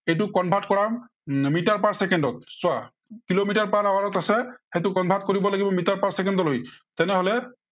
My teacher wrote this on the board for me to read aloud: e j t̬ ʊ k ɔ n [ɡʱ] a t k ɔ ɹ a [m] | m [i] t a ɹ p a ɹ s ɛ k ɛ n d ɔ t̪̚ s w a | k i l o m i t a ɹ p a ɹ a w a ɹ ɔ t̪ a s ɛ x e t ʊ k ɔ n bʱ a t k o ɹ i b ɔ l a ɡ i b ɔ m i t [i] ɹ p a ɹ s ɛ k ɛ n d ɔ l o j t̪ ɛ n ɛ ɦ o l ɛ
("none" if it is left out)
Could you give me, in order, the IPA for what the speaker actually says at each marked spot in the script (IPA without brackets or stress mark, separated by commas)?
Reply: bʱ, m, i, a